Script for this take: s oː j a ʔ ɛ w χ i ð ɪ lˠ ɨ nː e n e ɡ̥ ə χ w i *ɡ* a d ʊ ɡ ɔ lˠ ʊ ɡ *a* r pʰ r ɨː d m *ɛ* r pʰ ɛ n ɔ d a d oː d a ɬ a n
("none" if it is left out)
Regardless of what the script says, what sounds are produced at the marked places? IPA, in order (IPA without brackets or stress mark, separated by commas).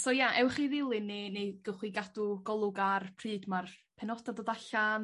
ɡ, a, a